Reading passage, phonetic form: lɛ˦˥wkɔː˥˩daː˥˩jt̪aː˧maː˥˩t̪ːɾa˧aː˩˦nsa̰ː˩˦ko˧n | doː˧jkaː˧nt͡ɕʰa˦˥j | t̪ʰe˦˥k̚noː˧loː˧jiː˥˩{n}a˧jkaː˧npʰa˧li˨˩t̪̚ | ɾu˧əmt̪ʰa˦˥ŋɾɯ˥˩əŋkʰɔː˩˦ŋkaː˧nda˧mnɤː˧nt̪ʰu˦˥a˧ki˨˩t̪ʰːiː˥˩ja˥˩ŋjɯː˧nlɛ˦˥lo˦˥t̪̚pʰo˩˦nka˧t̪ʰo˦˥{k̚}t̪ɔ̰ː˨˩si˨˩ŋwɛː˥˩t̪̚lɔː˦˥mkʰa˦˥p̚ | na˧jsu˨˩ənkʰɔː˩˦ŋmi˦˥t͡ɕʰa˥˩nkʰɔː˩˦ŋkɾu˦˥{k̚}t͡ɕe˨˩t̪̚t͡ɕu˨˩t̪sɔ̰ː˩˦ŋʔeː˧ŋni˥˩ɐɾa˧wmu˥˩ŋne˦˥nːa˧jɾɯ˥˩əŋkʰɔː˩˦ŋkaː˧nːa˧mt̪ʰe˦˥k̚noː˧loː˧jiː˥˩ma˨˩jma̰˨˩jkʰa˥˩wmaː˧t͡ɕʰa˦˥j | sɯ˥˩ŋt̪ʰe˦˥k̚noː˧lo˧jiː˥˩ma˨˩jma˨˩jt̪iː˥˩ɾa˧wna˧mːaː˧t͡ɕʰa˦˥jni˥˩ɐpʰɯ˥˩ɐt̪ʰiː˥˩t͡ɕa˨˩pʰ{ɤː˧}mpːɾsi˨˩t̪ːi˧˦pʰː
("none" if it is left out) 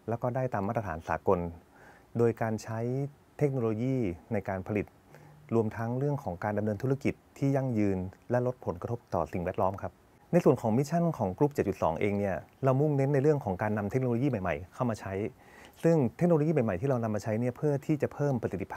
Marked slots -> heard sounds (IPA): n, p̚, p̚, ɤː˥˩

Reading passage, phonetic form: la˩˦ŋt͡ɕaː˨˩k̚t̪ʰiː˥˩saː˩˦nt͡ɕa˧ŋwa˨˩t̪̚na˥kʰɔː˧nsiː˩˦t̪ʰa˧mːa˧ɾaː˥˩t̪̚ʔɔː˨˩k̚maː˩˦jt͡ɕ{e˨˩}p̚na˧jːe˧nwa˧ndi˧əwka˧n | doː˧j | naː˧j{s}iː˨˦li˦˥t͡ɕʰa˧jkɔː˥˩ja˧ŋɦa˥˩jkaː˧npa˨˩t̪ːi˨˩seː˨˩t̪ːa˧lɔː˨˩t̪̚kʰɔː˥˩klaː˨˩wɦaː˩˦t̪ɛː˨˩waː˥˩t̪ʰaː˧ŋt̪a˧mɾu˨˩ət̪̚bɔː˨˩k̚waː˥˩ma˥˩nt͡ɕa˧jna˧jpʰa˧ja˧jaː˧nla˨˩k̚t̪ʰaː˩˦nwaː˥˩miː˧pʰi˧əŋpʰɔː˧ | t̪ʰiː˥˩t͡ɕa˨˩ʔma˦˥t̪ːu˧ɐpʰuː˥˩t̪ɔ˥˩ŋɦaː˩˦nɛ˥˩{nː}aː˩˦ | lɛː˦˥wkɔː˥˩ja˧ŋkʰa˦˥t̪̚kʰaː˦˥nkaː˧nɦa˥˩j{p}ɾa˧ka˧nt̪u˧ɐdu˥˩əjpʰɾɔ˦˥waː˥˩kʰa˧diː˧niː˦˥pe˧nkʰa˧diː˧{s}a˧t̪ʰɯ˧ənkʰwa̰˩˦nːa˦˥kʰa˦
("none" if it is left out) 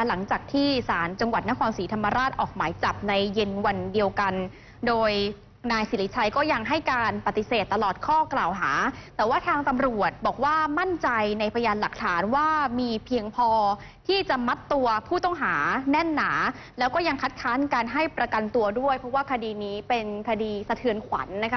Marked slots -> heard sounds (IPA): a˨˩, s, nː, p, s

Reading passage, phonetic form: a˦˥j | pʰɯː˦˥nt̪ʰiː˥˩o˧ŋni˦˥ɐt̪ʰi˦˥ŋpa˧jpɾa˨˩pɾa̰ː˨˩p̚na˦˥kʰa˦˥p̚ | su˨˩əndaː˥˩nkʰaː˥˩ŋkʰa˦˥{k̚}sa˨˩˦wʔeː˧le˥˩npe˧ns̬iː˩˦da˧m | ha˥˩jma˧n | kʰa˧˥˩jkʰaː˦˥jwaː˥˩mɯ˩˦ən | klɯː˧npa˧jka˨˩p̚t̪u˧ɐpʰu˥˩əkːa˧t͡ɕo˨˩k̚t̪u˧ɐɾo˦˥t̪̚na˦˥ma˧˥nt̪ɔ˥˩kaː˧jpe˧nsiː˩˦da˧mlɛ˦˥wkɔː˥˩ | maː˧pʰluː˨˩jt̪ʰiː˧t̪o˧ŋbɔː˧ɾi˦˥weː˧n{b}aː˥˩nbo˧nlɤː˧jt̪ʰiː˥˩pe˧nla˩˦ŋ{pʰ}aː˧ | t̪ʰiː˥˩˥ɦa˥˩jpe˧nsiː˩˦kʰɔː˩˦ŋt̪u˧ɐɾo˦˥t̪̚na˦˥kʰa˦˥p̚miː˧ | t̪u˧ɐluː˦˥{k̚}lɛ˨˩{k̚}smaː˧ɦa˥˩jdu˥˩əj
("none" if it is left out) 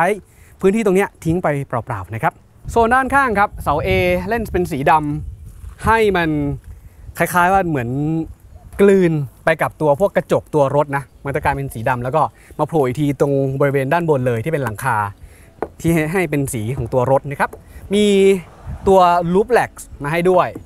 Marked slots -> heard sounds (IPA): p̚, d, kʰ, p̚, k̚

